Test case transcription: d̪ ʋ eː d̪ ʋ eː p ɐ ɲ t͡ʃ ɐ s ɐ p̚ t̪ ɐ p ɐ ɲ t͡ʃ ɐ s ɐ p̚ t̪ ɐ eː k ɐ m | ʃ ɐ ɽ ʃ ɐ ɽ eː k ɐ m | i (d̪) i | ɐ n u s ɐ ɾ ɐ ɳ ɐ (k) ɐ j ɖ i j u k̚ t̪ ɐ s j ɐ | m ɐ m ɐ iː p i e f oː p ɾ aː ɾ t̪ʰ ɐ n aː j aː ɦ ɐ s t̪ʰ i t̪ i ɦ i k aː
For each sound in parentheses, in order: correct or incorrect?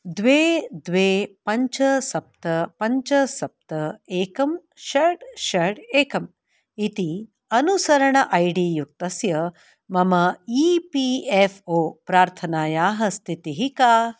incorrect: t̪, incorrect: ʔ

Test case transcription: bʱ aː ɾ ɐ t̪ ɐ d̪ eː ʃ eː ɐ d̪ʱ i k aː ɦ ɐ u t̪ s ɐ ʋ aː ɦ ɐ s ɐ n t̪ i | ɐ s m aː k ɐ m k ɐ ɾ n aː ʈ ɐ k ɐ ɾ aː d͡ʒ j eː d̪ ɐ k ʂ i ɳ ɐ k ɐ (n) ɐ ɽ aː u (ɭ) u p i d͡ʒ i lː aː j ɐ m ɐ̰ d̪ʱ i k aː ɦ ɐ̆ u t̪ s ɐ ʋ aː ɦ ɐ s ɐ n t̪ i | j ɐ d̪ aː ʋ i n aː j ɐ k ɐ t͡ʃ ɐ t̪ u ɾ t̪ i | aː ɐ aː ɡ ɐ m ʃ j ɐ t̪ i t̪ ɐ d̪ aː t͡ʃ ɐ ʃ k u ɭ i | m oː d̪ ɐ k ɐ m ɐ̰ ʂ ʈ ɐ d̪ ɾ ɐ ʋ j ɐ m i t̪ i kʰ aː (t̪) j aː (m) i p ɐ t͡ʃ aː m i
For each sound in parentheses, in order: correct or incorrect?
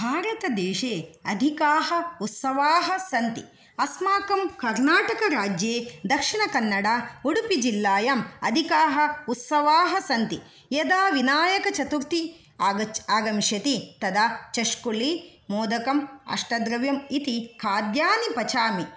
incorrect: nː, incorrect: ɽ, incorrect: d̪, incorrect: n

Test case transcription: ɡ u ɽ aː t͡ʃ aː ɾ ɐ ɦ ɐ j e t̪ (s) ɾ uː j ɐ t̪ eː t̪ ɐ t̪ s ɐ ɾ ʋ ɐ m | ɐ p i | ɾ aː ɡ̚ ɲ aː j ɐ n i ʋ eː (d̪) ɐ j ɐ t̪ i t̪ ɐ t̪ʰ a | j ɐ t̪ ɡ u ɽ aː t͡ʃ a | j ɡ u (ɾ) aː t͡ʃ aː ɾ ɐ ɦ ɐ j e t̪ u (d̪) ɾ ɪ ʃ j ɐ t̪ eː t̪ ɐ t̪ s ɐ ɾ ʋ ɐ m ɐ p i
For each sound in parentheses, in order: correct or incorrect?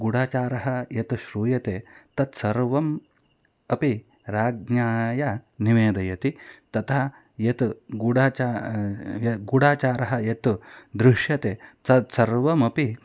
incorrect: ʃ, correct, incorrect: ɽ, correct

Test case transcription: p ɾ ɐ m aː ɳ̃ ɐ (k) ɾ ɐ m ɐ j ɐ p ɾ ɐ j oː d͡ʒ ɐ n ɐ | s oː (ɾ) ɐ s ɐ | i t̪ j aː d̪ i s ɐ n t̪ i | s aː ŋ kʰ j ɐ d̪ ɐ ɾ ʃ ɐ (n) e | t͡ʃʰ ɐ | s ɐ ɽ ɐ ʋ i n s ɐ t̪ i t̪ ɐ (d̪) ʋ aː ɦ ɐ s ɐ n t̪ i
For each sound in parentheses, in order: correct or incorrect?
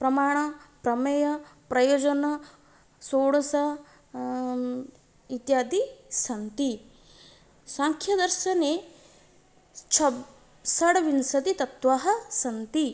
incorrect: p, incorrect: ɽ, correct, incorrect: t̪

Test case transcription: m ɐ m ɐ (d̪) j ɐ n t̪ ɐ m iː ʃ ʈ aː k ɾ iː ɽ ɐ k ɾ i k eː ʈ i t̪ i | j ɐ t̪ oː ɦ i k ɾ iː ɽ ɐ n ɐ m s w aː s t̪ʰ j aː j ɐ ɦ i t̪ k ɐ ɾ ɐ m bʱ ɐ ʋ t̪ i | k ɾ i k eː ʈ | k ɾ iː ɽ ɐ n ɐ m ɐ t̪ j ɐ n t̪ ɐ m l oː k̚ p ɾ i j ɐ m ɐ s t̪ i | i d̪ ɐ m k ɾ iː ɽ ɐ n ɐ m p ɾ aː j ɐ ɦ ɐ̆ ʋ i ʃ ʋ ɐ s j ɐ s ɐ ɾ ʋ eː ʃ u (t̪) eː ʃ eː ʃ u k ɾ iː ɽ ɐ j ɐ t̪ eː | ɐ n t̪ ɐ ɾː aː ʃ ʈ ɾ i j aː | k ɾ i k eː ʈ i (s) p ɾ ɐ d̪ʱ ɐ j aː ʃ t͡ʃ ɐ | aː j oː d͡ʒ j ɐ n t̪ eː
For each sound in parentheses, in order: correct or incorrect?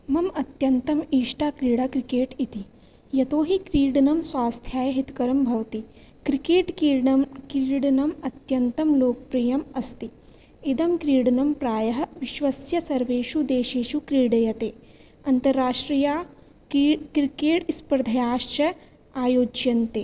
incorrect: t̪, incorrect: d̪, correct

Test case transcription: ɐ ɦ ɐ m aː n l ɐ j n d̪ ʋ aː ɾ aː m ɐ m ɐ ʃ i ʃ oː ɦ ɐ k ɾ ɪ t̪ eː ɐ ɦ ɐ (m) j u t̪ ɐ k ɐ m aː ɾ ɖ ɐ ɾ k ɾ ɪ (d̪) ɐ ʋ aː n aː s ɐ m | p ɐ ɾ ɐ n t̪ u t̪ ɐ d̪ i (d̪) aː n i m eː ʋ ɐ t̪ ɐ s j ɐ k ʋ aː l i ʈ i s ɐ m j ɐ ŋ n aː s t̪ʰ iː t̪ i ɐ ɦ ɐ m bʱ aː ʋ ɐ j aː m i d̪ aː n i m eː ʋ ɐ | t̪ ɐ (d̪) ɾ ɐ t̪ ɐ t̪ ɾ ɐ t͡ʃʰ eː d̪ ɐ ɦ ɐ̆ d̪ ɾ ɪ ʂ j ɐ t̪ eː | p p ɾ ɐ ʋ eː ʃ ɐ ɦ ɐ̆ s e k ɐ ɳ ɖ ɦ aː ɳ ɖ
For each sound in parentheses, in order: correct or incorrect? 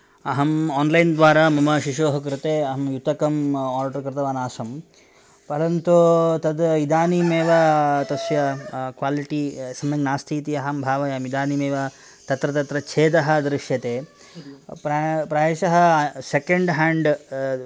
correct, incorrect: t̪, correct, incorrect: t̪

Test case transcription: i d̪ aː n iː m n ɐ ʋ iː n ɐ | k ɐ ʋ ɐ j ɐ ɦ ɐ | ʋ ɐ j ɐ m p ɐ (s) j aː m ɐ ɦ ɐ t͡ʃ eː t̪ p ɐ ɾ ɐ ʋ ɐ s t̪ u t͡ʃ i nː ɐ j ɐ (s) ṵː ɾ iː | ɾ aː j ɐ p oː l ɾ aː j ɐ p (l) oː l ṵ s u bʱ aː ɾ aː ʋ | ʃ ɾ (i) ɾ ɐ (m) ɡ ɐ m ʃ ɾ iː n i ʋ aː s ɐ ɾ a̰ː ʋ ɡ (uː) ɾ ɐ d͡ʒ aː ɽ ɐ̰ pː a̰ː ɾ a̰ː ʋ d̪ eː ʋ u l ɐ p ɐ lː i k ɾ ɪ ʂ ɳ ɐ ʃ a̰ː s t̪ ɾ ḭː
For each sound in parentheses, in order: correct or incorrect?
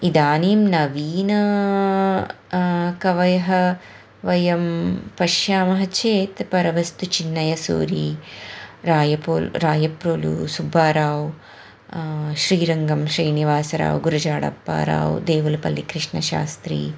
incorrect: ʃ, correct, incorrect: ɾ, incorrect: iː, incorrect: ŋ, incorrect: u

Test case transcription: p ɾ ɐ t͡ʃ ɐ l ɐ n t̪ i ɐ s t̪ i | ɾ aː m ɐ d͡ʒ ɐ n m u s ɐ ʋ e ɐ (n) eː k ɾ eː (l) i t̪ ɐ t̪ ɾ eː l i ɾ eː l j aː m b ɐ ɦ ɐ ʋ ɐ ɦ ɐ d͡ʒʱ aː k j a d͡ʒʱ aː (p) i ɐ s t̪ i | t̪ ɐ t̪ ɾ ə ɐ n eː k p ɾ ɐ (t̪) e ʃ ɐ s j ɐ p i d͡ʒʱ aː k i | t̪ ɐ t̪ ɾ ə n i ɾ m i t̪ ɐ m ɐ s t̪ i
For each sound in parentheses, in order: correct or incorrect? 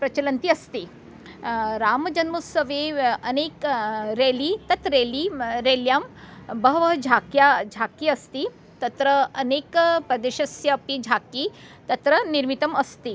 correct, correct, incorrect: k, incorrect: d̪

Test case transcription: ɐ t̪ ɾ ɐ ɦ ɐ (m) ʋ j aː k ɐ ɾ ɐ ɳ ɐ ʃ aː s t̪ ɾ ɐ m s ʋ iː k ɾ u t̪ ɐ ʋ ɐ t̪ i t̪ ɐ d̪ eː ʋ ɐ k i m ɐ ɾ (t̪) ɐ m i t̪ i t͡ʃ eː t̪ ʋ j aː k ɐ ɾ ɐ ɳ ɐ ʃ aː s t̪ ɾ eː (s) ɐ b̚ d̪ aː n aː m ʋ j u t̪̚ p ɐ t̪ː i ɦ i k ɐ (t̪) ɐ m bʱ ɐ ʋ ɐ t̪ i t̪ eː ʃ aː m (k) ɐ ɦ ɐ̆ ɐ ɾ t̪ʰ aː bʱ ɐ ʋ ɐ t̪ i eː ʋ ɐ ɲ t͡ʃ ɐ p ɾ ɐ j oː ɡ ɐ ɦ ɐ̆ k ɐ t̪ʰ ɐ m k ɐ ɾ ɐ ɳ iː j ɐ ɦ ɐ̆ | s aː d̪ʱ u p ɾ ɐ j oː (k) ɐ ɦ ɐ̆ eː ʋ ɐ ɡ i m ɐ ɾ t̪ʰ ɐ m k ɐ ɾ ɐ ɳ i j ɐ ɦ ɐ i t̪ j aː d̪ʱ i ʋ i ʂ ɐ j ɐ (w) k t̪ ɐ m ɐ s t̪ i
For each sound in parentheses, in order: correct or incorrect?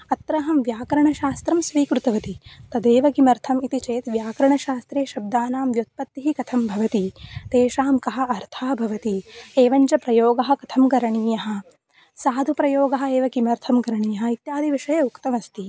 correct, incorrect: t̪ʰ, incorrect: ʃ, incorrect: t̪ʰ, correct, incorrect: ɡ, incorrect: u

